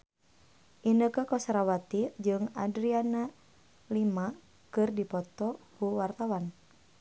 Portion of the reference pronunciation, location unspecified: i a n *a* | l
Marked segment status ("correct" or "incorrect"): correct